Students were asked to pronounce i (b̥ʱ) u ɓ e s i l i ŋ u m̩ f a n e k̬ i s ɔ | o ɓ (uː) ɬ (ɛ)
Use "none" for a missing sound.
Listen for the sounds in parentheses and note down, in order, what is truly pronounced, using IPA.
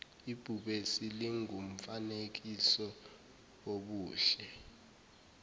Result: b̥ʱ, uː, ɛ

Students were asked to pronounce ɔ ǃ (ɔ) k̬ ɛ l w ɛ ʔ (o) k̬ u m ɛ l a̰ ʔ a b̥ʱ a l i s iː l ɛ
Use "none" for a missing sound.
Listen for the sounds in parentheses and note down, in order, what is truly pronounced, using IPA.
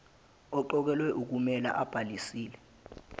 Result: ɔ, u

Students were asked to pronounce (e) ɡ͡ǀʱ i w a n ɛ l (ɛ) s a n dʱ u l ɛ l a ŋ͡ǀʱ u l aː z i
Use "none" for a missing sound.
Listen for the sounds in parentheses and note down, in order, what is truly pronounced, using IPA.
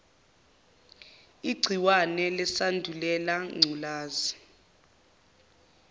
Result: i, ɛ

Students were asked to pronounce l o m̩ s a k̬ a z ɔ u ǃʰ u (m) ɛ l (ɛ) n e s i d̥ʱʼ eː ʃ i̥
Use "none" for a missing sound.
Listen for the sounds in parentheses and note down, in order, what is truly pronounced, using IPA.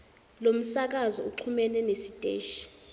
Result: m, ɛ

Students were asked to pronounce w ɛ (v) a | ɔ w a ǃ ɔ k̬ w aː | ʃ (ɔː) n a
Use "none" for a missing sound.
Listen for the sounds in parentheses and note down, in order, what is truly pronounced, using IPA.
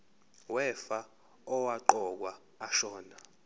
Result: f, ɔː

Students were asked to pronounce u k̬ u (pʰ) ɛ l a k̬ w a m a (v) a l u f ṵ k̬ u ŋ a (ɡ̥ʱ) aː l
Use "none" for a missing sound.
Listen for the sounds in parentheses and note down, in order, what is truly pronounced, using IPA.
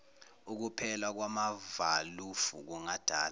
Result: pʰ, v, d̥ʱ

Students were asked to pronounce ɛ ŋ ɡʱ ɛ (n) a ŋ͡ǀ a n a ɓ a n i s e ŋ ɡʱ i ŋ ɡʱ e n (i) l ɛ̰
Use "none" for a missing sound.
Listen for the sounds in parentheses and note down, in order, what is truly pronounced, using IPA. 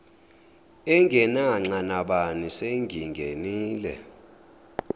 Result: n, iː

